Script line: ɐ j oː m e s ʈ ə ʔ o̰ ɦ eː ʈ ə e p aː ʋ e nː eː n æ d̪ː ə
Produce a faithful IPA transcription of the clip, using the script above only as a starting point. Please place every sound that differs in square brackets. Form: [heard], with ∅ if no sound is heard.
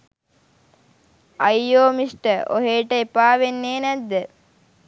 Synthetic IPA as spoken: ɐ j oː m [i] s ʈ ə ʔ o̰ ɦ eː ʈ ə e p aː ʋ e nː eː n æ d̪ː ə